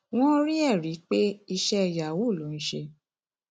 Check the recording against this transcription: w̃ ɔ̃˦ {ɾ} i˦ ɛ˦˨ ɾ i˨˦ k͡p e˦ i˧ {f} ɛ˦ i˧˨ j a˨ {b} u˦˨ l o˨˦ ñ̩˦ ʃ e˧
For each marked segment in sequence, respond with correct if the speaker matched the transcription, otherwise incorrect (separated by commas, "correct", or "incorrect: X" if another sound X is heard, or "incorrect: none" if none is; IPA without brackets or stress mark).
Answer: correct, incorrect: ʃ, incorrect: w